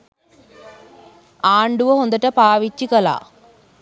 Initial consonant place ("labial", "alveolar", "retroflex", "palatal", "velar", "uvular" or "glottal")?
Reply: retroflex